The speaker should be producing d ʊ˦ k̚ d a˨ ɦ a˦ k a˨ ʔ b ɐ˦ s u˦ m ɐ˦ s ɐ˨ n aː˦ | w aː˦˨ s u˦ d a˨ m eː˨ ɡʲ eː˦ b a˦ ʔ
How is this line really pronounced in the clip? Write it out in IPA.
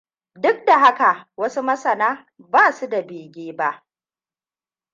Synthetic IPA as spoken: d ʊ˦ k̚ d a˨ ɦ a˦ k a˨ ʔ w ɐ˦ s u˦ m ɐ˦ s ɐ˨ n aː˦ | b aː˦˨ s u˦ d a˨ b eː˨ ɡʲ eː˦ b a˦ ʔ